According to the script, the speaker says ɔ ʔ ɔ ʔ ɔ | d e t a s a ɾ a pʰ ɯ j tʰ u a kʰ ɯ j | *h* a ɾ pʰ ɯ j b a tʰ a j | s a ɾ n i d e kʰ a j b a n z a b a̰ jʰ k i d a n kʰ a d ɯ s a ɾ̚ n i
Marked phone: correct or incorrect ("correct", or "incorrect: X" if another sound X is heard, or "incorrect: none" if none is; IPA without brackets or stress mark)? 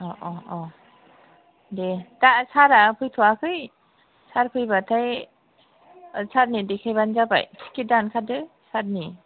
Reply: incorrect: s